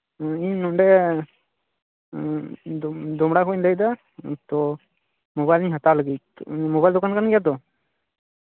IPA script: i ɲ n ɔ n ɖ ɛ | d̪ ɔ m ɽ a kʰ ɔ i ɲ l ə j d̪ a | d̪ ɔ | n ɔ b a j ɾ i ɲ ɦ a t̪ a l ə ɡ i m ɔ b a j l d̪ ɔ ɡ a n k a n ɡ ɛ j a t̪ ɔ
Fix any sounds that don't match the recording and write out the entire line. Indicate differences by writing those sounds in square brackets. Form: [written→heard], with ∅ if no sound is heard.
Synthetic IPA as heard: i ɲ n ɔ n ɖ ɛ | d̪ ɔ m ɽ a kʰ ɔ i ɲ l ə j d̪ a | [d̪→t̪] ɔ | [n→m] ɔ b a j [ɾ→l] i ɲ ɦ a t̪ a l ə ɡ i m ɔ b a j l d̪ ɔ [ɡ→k] a n k a n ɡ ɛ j a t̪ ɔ